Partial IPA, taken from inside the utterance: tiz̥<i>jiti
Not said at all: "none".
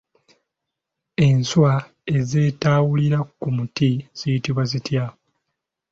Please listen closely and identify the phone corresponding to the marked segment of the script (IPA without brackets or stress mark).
i